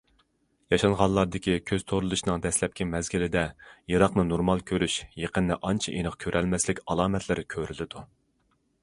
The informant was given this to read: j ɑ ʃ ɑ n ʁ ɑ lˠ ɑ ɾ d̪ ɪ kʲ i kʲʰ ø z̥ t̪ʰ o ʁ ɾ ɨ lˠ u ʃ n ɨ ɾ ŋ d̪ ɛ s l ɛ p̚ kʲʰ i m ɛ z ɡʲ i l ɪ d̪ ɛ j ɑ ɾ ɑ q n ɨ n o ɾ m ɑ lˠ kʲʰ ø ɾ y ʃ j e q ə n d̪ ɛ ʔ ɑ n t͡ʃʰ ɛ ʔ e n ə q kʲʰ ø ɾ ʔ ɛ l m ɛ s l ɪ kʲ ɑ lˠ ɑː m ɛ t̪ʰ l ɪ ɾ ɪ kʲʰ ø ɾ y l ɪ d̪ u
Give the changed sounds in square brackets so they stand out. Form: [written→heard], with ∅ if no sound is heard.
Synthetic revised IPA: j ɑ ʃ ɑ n ʁ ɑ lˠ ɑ ɾ d̪ ɪ kʲ i kʲʰ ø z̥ t̪ʰ o [ʁ→∅] ɾ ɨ lˠ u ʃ n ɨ [ɾ→∅] ŋ d̪ ɛ s l ɛ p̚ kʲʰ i m ɛ z ɡʲ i l ɪ d̪ ɛ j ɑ ɾ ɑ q n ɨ n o ɾ m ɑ lˠ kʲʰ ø ɾ y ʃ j e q ə n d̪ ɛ ʔ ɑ n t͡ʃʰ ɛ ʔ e n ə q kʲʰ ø ɾ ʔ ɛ l m ɛ s l ɪ kʲ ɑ lˠ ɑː m ɛ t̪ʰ l ɪ ɾ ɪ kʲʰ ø ɾ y l ɪ d̪ u